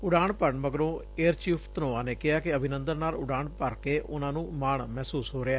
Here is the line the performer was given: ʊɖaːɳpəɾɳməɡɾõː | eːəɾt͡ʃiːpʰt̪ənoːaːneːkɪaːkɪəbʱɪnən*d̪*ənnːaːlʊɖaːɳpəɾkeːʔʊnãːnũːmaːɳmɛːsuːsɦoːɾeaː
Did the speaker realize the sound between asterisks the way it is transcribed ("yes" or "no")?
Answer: yes